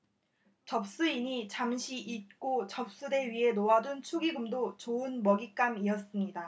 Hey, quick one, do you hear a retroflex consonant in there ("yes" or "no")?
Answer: no